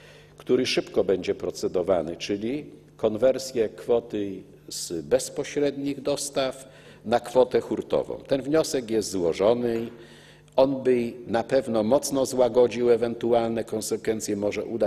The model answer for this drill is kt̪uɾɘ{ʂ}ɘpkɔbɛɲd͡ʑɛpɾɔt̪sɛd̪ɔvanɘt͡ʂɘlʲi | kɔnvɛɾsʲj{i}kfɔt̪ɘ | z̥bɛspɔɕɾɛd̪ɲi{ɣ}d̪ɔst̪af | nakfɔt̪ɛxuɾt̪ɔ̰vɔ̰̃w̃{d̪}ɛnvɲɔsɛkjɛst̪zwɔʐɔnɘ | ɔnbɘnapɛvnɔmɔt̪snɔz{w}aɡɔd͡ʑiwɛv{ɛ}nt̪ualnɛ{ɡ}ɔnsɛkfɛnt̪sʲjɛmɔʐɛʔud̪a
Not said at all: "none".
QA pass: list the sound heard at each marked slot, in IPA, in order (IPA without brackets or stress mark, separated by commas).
ʂ, ɛ, ɣ, t̪, w, ɛ, k